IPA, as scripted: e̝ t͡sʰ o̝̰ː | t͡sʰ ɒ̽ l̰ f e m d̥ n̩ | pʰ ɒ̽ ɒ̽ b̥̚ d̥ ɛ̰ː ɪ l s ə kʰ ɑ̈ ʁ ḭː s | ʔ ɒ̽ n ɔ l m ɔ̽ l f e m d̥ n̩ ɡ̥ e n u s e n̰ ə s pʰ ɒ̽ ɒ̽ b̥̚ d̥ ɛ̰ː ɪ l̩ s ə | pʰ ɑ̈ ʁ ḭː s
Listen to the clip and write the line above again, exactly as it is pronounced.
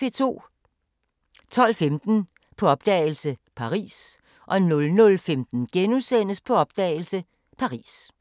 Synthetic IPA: e̝ t͡sʰ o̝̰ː | t͡sʰ ɒ̽ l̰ f e m d̥ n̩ | pʰ ɒ̽ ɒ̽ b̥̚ d̥ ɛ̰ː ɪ l s ə pʰ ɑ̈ ʁ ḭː s | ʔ ɒ̽ n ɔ l n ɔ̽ l f e m d̥ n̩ ɡ̥ e n u s e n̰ ə s pʰ ɒ̽ ɒ̽ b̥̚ d̥ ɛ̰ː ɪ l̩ s ə | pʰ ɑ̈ ʁ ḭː s